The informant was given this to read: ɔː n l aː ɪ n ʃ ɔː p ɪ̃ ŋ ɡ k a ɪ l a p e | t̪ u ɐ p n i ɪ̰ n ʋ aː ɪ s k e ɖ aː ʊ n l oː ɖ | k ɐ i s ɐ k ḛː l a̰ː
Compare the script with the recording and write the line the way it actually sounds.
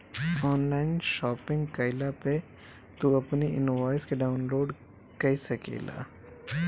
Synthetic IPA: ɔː n l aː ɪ n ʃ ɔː p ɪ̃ ŋ ɡ k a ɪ l a p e | t̪ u ɐ p n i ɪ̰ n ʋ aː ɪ s k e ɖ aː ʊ n l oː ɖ | k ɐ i s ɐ k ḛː l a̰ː